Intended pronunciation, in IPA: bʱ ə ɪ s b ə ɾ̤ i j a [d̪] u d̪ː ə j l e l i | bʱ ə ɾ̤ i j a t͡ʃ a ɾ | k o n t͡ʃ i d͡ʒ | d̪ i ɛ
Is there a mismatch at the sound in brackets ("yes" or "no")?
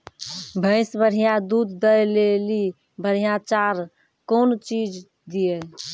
no